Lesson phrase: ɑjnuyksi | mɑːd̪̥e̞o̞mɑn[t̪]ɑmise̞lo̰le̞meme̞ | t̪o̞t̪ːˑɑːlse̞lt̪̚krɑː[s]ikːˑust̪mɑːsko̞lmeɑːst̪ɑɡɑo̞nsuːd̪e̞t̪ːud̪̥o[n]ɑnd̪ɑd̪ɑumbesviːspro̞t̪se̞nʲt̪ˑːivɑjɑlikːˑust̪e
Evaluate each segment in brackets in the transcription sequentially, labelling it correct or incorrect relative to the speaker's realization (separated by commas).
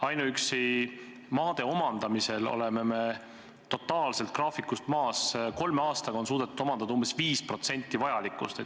incorrect, incorrect, incorrect